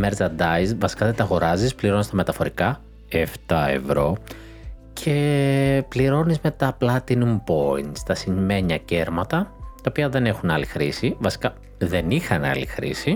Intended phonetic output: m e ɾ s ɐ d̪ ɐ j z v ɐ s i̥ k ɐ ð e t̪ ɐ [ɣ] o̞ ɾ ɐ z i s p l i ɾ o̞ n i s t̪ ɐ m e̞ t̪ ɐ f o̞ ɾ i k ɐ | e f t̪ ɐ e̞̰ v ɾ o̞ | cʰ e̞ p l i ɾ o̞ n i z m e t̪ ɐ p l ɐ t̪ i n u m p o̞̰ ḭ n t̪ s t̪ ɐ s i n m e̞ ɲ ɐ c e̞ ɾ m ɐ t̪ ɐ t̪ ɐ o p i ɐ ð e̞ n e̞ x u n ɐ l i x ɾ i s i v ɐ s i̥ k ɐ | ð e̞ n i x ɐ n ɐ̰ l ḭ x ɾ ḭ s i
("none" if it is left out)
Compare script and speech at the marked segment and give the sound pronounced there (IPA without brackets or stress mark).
ɣ